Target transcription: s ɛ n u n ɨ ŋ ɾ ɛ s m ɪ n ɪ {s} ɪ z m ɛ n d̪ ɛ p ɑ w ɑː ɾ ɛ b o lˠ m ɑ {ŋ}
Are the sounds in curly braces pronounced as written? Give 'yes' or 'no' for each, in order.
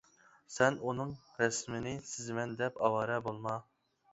yes, no

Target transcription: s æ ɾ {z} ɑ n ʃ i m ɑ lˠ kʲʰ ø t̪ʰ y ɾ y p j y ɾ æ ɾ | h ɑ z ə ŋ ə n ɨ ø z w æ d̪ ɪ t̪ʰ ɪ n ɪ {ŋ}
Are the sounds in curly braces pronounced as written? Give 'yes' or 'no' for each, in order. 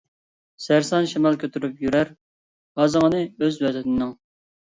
no, yes

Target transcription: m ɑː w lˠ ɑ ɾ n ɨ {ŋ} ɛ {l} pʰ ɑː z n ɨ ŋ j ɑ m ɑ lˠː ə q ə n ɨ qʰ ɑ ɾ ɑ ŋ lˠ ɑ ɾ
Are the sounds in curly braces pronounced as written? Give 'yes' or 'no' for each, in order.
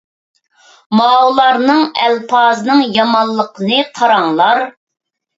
yes, yes

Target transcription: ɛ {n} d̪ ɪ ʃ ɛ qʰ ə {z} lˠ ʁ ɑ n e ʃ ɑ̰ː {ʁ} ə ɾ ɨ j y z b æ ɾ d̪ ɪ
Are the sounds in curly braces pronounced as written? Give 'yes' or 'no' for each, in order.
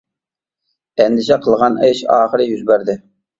yes, no, no

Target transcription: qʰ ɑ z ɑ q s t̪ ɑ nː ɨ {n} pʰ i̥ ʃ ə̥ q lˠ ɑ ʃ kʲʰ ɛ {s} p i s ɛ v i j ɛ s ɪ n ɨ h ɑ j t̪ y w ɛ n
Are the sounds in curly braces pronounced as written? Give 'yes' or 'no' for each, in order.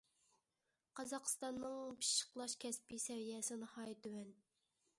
no, yes

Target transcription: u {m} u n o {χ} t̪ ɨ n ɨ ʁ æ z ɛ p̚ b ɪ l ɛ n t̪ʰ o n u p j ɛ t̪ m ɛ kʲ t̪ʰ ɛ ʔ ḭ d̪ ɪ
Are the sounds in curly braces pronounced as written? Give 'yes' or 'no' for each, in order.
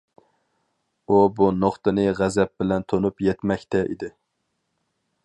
no, yes

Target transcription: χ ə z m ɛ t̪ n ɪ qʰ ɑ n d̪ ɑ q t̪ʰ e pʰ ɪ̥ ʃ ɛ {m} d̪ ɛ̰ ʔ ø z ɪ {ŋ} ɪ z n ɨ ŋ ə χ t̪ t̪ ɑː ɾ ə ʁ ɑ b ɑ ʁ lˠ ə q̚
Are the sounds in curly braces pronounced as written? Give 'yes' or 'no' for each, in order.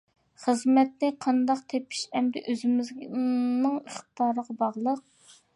yes, no

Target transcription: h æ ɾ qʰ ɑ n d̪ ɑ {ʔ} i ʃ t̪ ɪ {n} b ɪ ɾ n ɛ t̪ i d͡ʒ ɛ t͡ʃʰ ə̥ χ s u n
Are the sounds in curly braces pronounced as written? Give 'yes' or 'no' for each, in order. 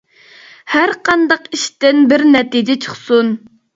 no, yes

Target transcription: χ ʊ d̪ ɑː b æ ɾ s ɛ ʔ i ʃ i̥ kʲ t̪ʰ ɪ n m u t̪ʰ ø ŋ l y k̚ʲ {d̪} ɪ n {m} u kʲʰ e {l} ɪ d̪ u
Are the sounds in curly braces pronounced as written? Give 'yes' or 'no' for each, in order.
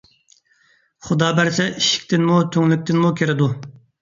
no, yes, no

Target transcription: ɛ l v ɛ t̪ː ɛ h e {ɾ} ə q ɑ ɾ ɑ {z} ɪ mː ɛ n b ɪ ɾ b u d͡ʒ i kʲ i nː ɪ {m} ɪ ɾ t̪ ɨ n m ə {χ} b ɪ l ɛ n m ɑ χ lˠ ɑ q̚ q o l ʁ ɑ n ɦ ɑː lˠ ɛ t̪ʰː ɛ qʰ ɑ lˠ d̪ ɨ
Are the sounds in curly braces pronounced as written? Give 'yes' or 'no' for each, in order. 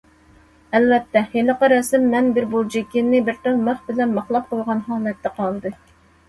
no, no, no, yes

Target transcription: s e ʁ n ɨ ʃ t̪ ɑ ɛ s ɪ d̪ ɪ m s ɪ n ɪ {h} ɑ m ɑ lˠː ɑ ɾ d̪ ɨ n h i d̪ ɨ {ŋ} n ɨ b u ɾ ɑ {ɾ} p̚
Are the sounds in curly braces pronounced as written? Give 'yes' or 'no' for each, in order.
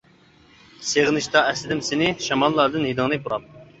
no, yes, no

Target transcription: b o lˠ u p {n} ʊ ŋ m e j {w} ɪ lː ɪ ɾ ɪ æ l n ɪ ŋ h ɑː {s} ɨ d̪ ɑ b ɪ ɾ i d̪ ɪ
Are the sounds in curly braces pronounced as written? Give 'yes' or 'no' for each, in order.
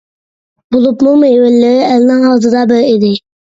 no, yes, no

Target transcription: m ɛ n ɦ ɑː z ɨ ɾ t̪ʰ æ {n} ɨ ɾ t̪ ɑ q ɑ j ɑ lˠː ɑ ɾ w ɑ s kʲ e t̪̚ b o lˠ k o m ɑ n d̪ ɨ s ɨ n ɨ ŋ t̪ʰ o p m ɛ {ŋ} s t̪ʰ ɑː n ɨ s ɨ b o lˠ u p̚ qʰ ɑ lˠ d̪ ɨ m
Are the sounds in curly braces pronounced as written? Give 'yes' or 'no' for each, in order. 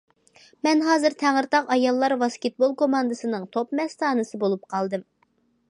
no, no

